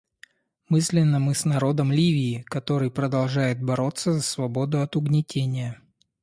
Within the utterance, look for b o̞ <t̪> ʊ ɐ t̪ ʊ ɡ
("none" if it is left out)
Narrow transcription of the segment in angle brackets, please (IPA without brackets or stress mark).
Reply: d̪